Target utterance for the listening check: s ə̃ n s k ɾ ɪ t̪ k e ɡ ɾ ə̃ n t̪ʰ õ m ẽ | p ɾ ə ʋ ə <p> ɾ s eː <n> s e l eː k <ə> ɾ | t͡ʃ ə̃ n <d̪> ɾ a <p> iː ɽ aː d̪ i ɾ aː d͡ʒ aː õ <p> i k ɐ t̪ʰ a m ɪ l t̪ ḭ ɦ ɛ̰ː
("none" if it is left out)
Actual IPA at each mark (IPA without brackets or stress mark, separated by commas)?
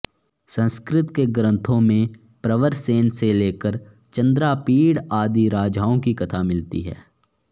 none, n, ə, d̪, p, k